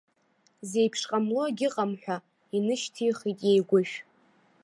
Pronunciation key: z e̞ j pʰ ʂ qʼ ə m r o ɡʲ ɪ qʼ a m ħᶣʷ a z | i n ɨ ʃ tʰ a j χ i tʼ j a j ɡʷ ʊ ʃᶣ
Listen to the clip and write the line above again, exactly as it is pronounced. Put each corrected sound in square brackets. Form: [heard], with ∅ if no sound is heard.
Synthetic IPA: z e̞ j pʰ ʂ qʼ [a] m [l] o ɡʲ ɪ qʼ a m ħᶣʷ a [∅] | i n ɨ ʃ tʰ [i] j χ i tʼ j [e] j ɡʷ ʊ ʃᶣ